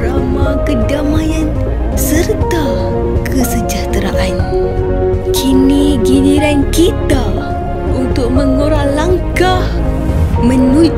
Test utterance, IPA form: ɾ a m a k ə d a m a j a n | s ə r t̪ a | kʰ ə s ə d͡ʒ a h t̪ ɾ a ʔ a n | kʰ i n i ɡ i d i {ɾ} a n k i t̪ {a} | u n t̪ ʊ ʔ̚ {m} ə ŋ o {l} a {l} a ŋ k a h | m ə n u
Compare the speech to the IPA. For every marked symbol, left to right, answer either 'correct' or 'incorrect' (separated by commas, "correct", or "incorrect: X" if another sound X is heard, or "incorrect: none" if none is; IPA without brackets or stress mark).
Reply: correct, correct, correct, incorrect: ɾ, correct